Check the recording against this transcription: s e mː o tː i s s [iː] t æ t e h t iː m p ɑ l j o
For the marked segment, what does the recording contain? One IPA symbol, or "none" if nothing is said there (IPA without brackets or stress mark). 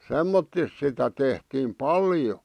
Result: i